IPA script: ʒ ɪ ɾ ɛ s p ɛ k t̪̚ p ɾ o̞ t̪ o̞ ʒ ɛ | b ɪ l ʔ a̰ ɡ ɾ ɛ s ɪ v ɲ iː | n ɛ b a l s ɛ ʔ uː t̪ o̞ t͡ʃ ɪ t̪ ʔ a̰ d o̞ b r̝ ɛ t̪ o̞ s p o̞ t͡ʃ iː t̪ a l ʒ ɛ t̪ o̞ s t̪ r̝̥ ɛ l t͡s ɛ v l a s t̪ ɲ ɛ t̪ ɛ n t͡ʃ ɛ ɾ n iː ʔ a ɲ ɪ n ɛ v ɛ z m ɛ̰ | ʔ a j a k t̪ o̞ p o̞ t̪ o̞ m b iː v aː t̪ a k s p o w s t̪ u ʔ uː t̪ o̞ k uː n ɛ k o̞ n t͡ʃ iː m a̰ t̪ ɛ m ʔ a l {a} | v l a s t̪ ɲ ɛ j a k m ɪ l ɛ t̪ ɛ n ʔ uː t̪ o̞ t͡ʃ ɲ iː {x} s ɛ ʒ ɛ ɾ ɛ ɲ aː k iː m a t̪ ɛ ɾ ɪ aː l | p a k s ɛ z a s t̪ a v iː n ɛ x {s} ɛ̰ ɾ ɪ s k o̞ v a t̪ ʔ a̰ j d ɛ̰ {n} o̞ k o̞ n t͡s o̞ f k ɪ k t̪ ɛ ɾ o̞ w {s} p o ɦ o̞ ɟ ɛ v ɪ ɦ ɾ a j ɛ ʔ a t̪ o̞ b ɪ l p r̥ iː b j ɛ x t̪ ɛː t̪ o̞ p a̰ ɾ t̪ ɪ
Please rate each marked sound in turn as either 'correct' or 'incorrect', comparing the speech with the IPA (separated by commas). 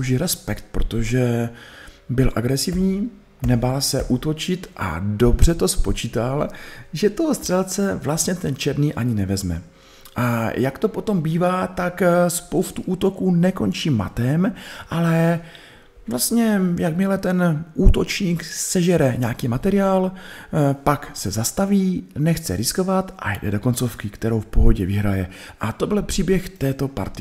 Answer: incorrect, incorrect, incorrect, incorrect, incorrect